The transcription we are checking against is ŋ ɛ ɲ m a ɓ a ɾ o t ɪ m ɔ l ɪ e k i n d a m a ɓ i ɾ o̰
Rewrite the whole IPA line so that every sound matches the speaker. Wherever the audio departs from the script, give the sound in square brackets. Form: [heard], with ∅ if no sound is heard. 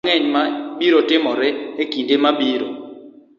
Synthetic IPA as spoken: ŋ ɛ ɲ m a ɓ [i] ɾ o t ɪ m ɔ [ɾ] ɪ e k i n d [e] m a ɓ i ɾ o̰